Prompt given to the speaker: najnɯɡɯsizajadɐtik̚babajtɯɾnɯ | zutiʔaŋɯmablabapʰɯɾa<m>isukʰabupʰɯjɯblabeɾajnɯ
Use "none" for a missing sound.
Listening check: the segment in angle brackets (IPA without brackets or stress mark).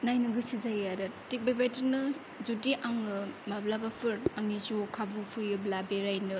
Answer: ŋ